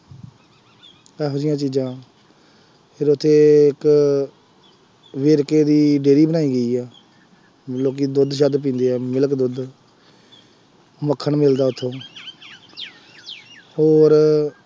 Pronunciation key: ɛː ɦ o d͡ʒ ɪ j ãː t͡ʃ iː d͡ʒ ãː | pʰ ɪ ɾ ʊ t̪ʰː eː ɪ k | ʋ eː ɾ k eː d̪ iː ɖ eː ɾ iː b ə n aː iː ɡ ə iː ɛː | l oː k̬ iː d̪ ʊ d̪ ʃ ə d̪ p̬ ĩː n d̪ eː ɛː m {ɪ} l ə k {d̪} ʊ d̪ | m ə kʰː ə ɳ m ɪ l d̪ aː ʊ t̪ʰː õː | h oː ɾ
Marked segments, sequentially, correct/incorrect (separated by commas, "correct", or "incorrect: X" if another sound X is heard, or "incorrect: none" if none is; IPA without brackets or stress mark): correct, correct